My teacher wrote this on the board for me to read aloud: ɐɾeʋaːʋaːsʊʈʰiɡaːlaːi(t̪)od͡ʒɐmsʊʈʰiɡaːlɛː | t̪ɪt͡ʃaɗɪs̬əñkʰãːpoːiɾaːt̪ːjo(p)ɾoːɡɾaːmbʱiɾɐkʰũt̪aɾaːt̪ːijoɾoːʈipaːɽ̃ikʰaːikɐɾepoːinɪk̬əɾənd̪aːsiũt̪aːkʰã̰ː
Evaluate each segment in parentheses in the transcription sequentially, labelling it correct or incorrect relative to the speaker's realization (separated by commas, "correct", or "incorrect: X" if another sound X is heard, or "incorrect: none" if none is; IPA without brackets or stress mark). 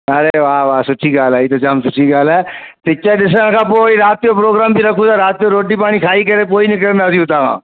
correct, correct